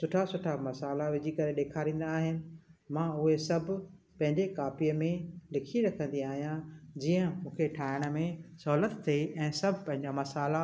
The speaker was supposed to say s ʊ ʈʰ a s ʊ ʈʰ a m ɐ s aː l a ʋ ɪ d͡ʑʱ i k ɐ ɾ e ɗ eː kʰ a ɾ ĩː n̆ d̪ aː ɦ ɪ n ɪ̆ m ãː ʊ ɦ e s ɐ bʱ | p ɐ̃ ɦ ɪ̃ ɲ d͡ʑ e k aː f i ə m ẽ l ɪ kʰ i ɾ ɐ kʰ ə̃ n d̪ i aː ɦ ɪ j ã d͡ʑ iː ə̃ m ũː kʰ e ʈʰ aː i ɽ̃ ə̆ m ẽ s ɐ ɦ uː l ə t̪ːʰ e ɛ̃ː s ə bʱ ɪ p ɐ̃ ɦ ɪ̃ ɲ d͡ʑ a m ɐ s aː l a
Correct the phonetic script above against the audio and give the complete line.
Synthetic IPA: s ʊ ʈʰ a s ʊ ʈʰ a m ɐ s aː l a ʋ ɪ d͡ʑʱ i k ɐ ɾ e ɗ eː kʰ a ɾ ĩː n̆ d̪ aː ɦ ɪ n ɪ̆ m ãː ʊ ɦ e s ɐ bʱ | p ɐ̃ ɦ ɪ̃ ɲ d͡ʑ e k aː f i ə m ẽ l ɪ kʰ i ɾ ɐ kʰ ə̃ n d̪ i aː ɦ i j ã d͡ʑ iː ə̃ m ũː kʰ e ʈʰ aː ɪ ɽ̃ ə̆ m ẽ s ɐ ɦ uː l ə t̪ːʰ e ɛ̃ː s ɐ bʱ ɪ p ɐ̃ ɦ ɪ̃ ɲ d͡ʑ a m ɐ s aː l a